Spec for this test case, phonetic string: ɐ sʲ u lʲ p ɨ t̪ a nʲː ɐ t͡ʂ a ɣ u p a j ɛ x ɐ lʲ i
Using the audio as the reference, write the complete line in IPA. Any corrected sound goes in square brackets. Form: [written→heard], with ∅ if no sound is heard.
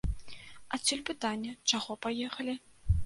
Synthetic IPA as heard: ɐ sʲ u lʲ p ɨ t̪ a nʲː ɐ t͡ʂ a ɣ [u→ɔ] p a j ɛ x ɐ lʲ i